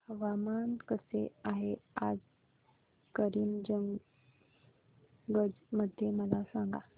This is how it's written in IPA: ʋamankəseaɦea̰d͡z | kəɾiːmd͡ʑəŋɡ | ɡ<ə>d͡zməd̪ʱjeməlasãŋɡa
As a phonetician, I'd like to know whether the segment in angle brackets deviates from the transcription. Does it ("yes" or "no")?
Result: no